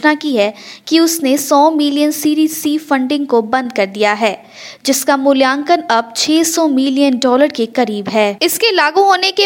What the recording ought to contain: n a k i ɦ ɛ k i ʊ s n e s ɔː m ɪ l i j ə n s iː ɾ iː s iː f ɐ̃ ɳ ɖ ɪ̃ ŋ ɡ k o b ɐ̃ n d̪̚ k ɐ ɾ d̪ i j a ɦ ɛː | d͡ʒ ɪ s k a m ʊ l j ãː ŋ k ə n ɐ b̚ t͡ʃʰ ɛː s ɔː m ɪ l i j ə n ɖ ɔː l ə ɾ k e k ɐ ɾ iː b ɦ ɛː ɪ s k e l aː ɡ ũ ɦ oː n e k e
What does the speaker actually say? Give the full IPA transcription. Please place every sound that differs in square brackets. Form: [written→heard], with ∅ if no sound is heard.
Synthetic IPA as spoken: n a k i ɦ ɛ k i ʊ s n e s ɔː m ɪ l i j ə n s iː ɾ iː s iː f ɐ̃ ɳ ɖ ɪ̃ ŋ ɡ k o b ɐ̃ n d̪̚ k ɐ ɾ d̪ i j a ɦ ɛː | d͡ʒ ɪ s k a m ʊ l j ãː ŋ k ə n ɐ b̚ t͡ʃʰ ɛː s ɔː m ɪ l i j ə n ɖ ɔː l ə ɾ k e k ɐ ɾ iː b ɦ ɛː ɪ s k e l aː ɡ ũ ɦ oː n e k e